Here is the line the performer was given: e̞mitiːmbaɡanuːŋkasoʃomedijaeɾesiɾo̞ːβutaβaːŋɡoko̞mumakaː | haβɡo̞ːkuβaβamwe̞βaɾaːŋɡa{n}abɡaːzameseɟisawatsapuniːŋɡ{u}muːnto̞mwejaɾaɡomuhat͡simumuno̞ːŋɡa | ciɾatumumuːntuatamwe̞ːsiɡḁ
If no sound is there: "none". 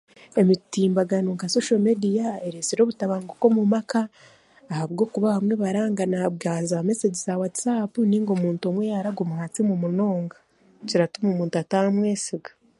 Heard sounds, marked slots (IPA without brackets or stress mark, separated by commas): n, o